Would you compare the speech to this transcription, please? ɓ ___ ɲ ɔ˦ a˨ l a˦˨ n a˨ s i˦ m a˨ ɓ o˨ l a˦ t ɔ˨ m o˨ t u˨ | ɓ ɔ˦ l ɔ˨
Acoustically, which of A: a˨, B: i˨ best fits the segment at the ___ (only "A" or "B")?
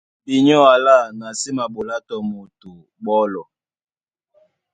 B